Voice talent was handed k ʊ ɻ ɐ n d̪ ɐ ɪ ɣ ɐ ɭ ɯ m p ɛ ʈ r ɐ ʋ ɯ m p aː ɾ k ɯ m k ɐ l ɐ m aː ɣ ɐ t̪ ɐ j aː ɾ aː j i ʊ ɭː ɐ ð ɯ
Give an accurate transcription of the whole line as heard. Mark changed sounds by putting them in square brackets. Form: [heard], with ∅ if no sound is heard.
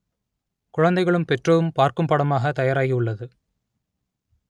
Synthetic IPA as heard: k ʊ ɻ ɐ n d̪ ɐ ɪ ɣ ɐ ɭ ɯ m p ɛ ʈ r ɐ ʋ ɯ m p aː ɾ k ɯ m [p] ɐ [ɽ] ɐ m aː ɣ ɐ t̪ ɐ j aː ɾ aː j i ʊ ɭː ɐ ð ɯ